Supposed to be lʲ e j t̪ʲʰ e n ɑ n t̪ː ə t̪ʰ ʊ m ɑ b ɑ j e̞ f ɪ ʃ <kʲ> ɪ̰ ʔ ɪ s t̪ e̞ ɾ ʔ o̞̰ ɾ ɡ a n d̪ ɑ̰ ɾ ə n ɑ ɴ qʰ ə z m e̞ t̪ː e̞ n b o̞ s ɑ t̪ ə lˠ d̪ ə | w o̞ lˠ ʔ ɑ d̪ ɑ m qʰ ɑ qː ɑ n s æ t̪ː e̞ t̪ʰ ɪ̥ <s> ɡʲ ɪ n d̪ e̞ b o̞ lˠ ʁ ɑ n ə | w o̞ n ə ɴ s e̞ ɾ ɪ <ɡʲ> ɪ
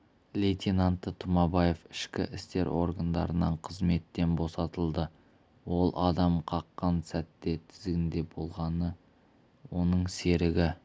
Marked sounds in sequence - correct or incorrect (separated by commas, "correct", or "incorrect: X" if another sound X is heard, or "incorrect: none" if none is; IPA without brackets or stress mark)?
correct, incorrect: z, correct